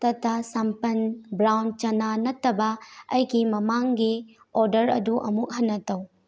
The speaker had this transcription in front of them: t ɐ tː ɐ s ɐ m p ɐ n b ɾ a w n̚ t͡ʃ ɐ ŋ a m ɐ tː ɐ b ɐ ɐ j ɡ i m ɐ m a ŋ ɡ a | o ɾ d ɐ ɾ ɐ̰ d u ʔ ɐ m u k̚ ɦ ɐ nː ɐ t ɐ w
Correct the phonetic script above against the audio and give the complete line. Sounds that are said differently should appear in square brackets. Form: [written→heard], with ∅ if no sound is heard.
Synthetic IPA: t ɐ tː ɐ s ɐ m p ɐ n b ɾ a w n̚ t͡ʃ ɐ [ŋ→n] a [m→n] ɐ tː ɐ b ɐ ɐ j ɡ i m ɐ m a ŋ ɡ [a→i] | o ɾ d ɐ ɾ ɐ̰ d u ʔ ɐ m u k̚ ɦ ɐ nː ɐ t ɐ w

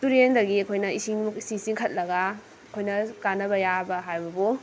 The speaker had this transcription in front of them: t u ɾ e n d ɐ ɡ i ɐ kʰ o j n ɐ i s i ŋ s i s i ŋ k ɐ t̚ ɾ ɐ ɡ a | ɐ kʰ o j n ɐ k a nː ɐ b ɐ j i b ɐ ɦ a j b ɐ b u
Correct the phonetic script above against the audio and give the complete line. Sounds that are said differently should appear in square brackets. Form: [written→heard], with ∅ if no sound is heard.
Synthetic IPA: t u ɾ e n d ɐ ɡ i ɐ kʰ o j n ɐ i s i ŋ s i s i ŋ [k→kʰ] ɐ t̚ [ɾ→l] ɐ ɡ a | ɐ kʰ o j n ɐ k a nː ɐ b ɐ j [i→a] b ɐ ɦ a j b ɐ b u

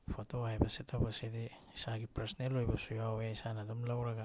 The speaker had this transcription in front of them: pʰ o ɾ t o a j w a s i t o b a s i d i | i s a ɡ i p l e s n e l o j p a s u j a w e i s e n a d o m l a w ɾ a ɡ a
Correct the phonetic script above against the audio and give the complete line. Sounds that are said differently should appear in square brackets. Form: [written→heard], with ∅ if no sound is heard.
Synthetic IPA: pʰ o [ɾ→∅] t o a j [w→b] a s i t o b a s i d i | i s a ɡ i p [l→ɾ] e s n e l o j [p→b] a s u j a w e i s [e→a] n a d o m l a w ɾ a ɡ a

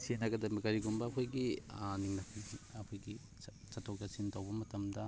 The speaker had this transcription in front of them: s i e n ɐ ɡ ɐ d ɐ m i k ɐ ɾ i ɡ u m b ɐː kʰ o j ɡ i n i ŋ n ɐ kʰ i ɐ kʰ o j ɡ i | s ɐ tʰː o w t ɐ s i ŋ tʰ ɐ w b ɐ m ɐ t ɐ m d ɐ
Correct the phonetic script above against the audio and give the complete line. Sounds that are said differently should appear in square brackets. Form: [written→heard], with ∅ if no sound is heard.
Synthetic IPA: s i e n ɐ ɡ ɐ d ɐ m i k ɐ ɾ i ɡ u m b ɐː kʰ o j ɡ i n i ŋ n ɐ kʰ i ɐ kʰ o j ɡ i | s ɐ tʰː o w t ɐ s i [ŋ→n] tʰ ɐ w b ɐ m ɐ t ɐ m d ɐ

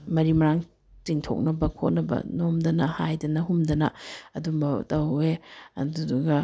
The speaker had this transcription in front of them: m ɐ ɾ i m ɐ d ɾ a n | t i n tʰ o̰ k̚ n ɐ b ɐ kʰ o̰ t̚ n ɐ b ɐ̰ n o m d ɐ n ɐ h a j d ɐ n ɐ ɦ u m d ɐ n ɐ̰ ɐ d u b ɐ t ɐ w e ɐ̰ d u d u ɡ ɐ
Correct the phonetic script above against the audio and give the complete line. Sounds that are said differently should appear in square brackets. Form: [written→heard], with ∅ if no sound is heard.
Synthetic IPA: m ɐ ɾ i m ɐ [d→∅] ɾ a [n→ŋ] | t i [n→ŋ] tʰ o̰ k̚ n ɐ b ɐ kʰ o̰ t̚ n ɐ b ɐ̰ n o m d ɐ n ɐ h a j d ɐ n ɐ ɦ u m d ɐ n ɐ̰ ɐ d u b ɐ t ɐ w e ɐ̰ d u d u ɡ ɐ

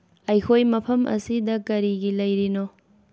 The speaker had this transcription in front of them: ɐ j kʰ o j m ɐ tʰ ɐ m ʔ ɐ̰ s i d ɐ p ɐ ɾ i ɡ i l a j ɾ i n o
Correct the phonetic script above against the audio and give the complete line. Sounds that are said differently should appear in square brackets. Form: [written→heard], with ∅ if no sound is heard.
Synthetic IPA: ɐ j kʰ o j m ɐ [tʰ→pʰ] ɐ m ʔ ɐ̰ s i d ɐ [p→k] ɐ ɾ i ɡ i l [a→ɐ] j ɾ i n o

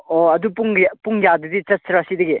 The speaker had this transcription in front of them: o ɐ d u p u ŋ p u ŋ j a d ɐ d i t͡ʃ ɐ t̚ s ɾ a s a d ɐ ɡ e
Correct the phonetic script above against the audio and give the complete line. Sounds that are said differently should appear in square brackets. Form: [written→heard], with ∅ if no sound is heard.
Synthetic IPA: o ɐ d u p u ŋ p u ŋ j a d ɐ d i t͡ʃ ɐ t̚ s ɾ a s [a→i] d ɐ ɡ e

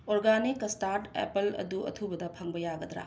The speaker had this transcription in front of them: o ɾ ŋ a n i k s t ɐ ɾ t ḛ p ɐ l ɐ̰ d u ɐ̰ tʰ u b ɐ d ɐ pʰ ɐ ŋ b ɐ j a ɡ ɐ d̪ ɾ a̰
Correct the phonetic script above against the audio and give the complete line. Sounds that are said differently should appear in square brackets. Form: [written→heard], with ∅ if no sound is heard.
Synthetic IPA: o ɾ [ŋ→ɡ] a n i k s t [ɐ→a] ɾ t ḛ p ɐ l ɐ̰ d u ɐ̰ tʰ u b ɐ d ɐ pʰ ɐ ŋ b ɐ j a ɡ ɐ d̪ ɾ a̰

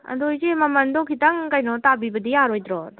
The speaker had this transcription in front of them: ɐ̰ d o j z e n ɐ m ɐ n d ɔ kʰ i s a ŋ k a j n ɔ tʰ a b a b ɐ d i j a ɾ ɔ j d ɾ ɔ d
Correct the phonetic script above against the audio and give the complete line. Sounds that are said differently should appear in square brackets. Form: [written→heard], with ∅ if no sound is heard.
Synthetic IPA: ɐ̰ d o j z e [n→m] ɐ m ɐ n d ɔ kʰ i [s→t] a ŋ k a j n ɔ [tʰ→t] a b [a→i] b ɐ d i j a ɾ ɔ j d ɾ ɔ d

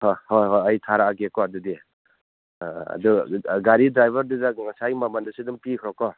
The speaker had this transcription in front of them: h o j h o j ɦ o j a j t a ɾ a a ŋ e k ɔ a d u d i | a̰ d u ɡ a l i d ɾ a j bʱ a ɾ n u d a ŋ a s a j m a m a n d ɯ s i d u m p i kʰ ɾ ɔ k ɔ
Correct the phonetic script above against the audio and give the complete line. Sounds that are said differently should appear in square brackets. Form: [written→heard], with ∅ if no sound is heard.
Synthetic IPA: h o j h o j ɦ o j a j [t→tʰ] a ɾ a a [ŋ→ɡ] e k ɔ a d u d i | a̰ d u ɡ a [l→ɾ] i d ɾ a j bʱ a ɾ [n→d] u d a ŋ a s a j m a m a n d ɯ s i d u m p i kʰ ɾ ɔ k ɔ

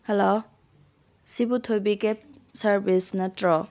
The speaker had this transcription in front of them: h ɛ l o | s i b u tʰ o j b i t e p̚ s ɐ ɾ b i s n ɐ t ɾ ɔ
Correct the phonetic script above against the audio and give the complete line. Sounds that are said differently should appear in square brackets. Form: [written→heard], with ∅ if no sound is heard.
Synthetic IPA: h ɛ l o | s i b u tʰ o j b i [t→k] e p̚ s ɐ ɾ b i s n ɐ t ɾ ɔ

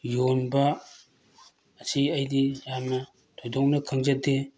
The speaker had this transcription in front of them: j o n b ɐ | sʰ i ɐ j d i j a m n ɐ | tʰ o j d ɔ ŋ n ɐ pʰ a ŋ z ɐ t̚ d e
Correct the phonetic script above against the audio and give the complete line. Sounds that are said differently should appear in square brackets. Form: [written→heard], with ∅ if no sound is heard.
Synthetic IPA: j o n b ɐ | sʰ i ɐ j d i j a m n ɐ | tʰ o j d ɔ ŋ n ɐ [pʰ→kʰ] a ŋ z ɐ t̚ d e

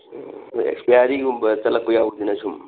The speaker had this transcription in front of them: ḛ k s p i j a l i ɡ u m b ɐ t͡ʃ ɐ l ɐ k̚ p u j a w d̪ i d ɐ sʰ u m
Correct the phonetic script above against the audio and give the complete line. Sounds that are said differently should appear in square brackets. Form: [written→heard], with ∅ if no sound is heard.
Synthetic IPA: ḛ k s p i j a [l→ɾ] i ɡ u m b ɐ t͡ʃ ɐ l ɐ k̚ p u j a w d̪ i [d→n] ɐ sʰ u m

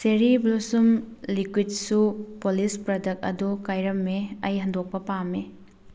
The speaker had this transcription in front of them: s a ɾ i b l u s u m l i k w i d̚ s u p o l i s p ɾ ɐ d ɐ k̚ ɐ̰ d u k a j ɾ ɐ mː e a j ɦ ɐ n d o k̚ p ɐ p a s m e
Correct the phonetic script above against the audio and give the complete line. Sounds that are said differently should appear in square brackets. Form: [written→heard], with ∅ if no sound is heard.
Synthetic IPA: s [a→e] ɾ i b l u s u m l i k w i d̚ s u p o l i s p ɾ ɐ d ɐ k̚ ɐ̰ d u k a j ɾ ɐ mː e [a→ɐ] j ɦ ɐ n d o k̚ p ɐ p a [s→∅] m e

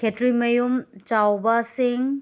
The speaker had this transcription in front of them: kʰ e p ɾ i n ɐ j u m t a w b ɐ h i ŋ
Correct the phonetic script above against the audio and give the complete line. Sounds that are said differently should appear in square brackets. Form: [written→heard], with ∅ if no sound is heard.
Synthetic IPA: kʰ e [p→t] ɾ i [n→m] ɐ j u m [t→t͡ʃ] a w b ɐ [h→s] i ŋ

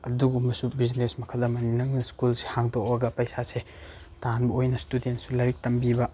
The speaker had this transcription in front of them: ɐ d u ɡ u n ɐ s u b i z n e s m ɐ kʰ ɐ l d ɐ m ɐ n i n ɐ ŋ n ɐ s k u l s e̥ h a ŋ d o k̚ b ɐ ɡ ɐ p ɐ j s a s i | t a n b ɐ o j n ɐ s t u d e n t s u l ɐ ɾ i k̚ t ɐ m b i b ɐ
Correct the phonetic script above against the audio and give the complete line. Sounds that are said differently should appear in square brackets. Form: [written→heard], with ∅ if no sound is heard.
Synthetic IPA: ɐ d u ɡ u [n→m] ɐ s u b i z n e s m ɐ kʰ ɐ l d ɐ m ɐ n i n ɐ ŋ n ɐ s k u l s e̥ h a ŋ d o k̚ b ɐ ɡ ɐ p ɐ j s a s [i→e] | t a n b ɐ o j n ɐ s t u d e n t s u l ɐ ɾ i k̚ t ɐ m b i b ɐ

